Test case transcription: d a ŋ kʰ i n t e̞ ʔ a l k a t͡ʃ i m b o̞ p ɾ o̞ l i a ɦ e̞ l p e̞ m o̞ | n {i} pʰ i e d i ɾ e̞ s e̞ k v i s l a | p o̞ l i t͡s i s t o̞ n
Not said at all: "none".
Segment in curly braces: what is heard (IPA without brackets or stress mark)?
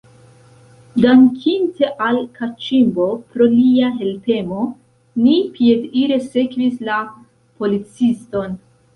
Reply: i